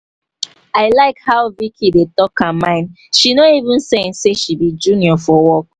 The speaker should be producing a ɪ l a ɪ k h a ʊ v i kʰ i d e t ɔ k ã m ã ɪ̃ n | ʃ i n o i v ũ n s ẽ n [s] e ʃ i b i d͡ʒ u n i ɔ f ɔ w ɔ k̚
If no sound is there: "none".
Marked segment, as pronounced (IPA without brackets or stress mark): s